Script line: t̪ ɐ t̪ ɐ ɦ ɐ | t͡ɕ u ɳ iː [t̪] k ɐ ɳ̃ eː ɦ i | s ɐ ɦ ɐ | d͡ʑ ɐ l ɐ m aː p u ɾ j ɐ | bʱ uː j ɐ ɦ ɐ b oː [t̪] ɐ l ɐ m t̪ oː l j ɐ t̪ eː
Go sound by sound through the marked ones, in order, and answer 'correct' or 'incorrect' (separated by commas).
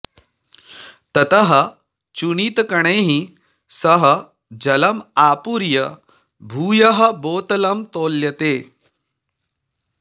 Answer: correct, correct